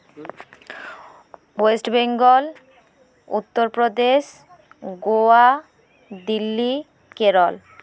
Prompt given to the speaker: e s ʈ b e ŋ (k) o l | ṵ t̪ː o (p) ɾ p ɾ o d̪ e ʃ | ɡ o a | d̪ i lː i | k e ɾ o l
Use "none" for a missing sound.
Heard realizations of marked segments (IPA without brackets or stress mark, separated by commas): ɡ, none